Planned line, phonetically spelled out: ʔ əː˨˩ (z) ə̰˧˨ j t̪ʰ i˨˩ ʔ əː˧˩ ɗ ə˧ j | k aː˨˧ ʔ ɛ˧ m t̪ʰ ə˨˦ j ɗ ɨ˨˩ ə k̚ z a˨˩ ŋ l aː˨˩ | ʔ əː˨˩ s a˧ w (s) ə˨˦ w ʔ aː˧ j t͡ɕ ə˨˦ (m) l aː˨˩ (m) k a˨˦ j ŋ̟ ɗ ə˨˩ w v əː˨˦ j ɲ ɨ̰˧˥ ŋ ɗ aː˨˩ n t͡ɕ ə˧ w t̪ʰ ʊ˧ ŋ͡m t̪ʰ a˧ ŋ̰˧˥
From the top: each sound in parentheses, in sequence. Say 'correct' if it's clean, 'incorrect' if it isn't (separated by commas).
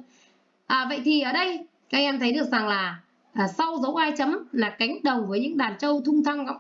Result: incorrect, incorrect, correct, incorrect